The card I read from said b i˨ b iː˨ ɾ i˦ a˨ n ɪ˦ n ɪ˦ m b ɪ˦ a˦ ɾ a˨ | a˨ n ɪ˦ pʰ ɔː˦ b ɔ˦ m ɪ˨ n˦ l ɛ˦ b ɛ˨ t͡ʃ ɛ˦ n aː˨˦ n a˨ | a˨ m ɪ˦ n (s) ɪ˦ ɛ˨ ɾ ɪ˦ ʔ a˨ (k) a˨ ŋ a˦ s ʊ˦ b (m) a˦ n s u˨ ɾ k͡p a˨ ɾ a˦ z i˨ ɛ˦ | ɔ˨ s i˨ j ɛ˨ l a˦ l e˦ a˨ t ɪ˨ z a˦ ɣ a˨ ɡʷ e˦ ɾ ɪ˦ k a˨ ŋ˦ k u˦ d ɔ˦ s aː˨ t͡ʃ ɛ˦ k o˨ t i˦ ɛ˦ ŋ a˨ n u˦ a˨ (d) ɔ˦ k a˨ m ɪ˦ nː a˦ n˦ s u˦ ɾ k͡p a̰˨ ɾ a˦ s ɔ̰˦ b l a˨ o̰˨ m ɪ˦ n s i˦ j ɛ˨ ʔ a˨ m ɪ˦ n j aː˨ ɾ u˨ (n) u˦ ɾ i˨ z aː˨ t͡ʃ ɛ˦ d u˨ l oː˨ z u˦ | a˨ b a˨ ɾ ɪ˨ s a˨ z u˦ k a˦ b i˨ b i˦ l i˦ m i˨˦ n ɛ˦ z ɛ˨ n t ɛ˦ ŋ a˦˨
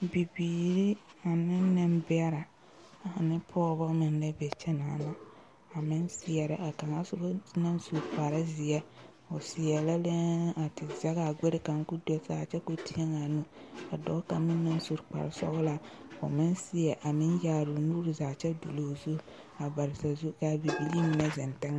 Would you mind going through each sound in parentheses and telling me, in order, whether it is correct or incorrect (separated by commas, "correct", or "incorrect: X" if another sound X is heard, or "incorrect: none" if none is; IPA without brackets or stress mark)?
correct, correct, incorrect: n, correct, correct